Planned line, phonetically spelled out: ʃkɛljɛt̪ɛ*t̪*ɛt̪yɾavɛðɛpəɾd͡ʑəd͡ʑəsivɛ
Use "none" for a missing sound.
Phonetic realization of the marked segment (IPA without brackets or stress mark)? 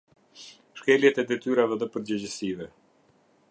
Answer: d̪